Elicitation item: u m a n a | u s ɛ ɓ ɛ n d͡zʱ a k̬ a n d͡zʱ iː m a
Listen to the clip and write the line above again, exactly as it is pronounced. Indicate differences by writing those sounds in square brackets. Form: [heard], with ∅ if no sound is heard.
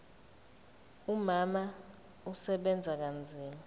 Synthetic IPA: u m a [m] a | u s ɛ ɓ ɛ n d͡zʱ a k̬ a n d͡zʱ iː m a